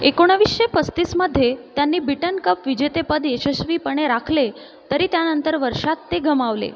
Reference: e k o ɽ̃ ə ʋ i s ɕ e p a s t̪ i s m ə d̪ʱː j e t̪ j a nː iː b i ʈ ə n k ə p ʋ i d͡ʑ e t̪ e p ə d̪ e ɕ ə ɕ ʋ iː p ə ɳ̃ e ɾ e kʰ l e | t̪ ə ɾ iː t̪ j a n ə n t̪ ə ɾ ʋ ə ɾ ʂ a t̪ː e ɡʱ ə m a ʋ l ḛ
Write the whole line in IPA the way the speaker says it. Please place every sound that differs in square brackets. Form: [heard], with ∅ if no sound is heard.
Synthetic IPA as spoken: e k o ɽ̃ ə ʋ i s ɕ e p [ə] s t̪ i s m ə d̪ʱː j e t̪ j a nː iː b i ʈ ə n k ə p ʋ i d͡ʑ e t̪ e p ə d̪ e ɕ ə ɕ ʋ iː p ə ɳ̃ e ɾ [a] kʰ l e | t̪ ə ɾ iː t̪ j a n ə n t̪ ə ɾ ʋ ə ɾ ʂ a t̪ː e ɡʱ ə m a ʋ l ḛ

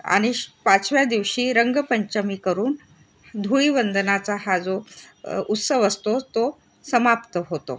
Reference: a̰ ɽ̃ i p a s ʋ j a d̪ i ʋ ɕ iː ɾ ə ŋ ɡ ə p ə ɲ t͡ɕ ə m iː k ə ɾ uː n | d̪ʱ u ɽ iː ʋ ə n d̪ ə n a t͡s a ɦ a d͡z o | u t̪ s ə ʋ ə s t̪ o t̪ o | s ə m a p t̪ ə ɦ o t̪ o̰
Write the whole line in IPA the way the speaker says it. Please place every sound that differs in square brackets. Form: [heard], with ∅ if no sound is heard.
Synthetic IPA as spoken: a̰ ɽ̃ i p a [t͡s] ʋ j a d̪ i ʋ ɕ iː ɾ ə ŋ ɡ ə p ə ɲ t͡ɕ ə m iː k ə ɾ uː n | d̪ʱ u [ɭ] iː ʋ ə n d̪ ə n a t͡s a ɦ a d͡z o | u t̪ s ə ʋ ə s t̪ o t̪ o | s ə m a p t̪ ə ɦ o t̪ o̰

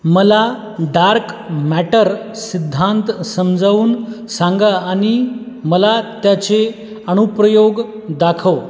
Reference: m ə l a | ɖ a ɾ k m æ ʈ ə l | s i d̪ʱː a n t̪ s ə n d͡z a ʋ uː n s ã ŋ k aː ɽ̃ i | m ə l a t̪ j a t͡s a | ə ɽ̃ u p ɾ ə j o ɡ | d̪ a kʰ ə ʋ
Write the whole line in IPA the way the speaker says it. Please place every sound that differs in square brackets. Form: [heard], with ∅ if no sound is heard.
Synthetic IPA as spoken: m ə l a | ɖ a ɾ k m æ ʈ ə [ɾ] | s i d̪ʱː a n t̪ s ə [m] d͡z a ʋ uː n s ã ŋ [ɡ] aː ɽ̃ i | m ə l a t̪ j a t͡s [e] | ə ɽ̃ u p ɾ ə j o ɡ | d̪ a kʰ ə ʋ

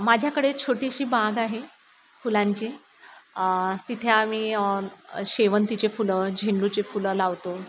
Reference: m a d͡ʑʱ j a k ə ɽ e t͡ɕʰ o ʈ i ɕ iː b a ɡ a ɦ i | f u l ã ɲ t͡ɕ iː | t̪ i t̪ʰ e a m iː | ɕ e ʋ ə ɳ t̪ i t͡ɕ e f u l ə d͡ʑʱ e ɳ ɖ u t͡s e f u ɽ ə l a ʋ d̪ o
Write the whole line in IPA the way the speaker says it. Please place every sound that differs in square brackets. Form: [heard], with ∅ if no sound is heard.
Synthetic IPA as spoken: m a d͡ʑʱ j a k ə ɽ e t͡ɕʰ o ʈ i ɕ iː b a ɡ a ɦ [e] | f u l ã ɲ t͡ɕ iː | t̪ i t̪ʰ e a m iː | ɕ e ʋ ə [n] t̪ i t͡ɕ e f u l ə d͡ʑʱ e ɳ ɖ u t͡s e f u [l] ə l a ʋ [t̪] o

